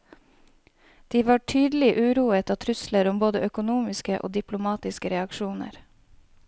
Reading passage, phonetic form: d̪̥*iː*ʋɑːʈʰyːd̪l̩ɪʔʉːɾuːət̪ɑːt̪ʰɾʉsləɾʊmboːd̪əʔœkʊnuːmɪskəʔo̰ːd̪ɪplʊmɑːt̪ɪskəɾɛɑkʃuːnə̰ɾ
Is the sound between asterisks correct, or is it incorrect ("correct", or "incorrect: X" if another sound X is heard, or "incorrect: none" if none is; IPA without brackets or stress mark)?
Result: correct